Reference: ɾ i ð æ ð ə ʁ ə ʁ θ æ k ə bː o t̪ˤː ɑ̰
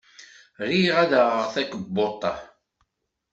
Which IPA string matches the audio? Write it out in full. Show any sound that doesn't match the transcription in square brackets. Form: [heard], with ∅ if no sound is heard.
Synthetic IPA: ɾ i [ʁ] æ ð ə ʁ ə ʁ θ æ k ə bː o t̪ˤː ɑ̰